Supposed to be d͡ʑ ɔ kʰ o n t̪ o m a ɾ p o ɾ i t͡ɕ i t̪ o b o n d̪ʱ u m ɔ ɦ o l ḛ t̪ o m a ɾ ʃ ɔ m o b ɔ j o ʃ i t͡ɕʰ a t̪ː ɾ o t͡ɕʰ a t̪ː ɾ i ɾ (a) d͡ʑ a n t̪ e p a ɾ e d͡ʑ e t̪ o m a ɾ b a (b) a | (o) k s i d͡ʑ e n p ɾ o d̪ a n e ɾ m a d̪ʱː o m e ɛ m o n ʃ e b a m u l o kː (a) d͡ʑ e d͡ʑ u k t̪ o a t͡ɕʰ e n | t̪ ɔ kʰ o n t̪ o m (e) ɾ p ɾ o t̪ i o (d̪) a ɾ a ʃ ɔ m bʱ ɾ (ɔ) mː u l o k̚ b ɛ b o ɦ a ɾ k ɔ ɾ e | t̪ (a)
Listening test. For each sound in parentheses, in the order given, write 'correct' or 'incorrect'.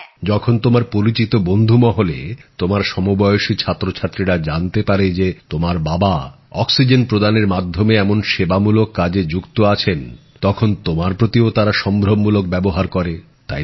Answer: correct, correct, incorrect, correct, incorrect, incorrect, incorrect, correct

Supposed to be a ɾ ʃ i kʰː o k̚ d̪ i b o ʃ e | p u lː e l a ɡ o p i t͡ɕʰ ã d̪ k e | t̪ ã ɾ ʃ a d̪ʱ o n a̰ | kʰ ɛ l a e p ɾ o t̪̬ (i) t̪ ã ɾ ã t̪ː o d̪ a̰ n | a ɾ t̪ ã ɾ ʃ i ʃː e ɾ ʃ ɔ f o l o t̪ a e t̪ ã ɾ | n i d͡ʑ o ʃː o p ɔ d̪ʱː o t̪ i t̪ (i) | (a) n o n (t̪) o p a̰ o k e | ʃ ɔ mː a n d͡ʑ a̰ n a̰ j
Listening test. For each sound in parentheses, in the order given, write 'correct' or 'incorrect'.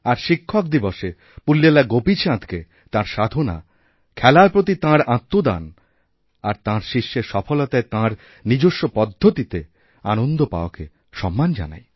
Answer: correct, incorrect, correct, incorrect

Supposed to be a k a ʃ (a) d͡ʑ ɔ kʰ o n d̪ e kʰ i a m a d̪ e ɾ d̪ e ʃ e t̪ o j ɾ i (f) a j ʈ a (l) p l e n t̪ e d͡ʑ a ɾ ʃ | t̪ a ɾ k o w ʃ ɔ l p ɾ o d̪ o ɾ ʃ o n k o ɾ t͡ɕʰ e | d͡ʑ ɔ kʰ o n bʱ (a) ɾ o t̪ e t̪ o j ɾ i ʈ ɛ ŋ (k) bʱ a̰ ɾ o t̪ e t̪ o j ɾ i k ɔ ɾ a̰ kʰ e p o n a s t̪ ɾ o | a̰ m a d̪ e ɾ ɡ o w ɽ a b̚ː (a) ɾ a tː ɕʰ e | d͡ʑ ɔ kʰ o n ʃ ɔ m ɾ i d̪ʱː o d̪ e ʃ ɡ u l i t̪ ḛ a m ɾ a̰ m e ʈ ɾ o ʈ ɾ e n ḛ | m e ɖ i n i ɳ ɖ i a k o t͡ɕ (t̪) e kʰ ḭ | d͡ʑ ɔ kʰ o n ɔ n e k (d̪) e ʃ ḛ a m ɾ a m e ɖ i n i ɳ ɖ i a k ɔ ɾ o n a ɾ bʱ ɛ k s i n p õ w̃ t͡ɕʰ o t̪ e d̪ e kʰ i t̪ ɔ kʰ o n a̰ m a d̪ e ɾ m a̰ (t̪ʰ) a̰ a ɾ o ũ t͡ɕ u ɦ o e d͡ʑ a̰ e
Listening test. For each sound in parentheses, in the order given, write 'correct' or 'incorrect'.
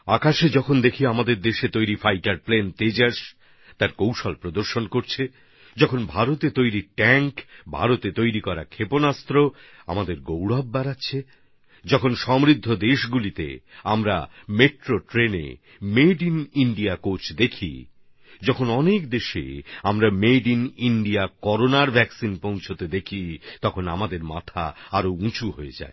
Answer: incorrect, correct, incorrect, correct, correct, correct, incorrect, correct, correct

